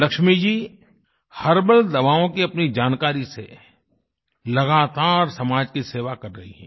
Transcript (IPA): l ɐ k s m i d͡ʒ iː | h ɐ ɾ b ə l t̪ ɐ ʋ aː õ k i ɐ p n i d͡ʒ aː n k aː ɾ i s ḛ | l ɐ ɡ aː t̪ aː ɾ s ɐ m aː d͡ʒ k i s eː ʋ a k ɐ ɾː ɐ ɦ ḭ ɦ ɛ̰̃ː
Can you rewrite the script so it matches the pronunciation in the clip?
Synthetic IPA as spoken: l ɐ k ʃ m i d͡ʒ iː | h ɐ ɾ b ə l d̪ ɐ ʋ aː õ k i ɐ p n i d͡ʒ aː n k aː ɾ i s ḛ | l ɐ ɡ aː t̪ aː ɾ s ɐ m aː d͡ʒ k i s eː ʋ a k ɐ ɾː ɐ ɦ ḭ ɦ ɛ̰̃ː